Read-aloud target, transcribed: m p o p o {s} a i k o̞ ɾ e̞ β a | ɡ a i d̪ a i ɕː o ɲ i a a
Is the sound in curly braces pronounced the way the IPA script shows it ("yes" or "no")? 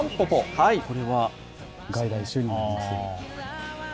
no